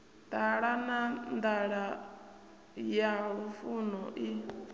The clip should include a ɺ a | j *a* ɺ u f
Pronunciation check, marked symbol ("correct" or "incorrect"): correct